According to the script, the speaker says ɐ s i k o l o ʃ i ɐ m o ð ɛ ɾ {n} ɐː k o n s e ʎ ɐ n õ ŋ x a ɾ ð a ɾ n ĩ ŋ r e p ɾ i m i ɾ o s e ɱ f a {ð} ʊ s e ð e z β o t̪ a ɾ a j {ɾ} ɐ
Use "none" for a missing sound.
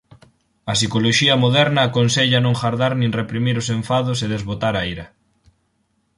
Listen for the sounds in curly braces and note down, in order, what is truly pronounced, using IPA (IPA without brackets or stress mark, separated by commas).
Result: n, ð, ɾ